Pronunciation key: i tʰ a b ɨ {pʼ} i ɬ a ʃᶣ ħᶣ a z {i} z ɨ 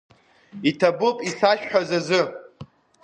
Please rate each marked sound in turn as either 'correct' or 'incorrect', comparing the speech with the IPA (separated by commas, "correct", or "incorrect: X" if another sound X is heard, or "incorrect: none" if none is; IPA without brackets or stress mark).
correct, incorrect: a